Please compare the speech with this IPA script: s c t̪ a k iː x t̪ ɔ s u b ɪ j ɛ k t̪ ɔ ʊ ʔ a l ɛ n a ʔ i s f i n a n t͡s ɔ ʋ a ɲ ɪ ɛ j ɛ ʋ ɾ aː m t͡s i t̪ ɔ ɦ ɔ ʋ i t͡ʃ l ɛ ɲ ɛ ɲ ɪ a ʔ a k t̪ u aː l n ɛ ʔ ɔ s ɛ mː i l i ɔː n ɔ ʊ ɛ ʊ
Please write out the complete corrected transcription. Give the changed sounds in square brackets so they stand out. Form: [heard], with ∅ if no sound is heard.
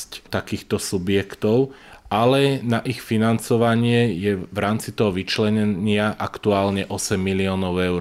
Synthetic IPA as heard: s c t̪ a k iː x t̪ ɔ s u b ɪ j ɛ k t̪ ɔ ʊ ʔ a l ɛ n a ʔ i [x] f i n a n t͡s ɔ ʋ a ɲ ɪ ɛ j ɛ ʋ ɾ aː m t͡s i t̪ ɔ ɦ ɔ ʋ i t͡ʃ l ɛ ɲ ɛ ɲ ɪ a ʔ a k t̪ u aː l [ɲ] ɛ ʔ ɔ s ɛ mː i l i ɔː n ɔ ʊ ɛ ʊ